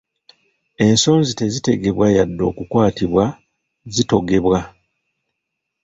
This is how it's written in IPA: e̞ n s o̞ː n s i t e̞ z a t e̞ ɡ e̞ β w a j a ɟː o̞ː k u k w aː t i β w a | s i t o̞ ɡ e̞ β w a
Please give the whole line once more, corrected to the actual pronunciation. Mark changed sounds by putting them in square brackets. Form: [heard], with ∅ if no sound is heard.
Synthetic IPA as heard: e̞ n s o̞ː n [z] i t e̞ z [i] t e̞ ɡ e̞ β w a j a [dː] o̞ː k u k w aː t i β w a | [z] i t o̞ ɡ e̞ β w a